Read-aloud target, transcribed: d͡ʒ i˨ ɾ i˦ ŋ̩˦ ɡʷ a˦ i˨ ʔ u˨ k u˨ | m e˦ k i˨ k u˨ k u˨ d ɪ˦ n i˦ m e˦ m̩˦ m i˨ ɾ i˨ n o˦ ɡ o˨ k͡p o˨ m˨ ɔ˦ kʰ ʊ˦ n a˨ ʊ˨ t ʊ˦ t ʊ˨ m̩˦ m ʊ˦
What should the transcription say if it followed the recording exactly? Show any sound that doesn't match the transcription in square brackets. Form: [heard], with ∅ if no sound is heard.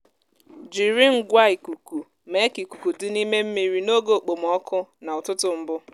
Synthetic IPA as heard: d͡ʒ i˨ ɾ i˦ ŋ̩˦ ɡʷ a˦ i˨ [k] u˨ k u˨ | m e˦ k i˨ k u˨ k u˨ d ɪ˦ n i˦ m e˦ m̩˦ m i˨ ɾ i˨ n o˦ ɡ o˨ k͡p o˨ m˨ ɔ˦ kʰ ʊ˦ n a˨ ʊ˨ t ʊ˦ t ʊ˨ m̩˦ [b] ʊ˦